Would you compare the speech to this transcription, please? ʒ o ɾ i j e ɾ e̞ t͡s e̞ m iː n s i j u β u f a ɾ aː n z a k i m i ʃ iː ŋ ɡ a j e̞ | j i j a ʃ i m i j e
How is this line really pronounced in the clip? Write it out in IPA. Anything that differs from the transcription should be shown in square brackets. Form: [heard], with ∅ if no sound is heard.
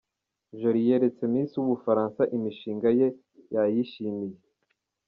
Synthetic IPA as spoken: ʒ o ɾ i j e ɾ e̞ t͡s e̞ m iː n s i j u β u f a ɾ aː n [s] a [ʔ] i m i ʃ iː ŋ ɡ a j e̞ | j [a] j [i] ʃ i m i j e